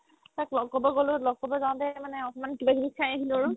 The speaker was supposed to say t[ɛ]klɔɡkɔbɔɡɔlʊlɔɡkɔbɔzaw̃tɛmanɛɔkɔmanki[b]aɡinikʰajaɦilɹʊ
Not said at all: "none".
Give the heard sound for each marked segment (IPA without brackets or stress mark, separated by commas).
a, b